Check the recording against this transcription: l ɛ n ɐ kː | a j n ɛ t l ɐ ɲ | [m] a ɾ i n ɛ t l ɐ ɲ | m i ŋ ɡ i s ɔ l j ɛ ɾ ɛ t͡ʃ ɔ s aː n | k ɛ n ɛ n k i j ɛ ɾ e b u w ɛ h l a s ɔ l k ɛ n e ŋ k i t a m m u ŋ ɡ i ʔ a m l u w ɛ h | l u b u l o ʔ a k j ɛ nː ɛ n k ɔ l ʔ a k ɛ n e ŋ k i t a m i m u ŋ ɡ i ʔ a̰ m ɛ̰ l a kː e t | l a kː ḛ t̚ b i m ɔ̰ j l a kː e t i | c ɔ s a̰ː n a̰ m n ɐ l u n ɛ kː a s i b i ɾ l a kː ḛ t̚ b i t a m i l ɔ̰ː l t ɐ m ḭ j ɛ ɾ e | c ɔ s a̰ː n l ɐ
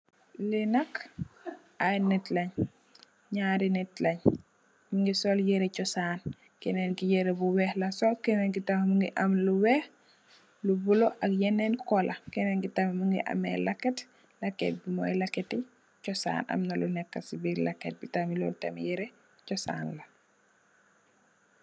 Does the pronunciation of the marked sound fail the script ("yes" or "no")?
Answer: yes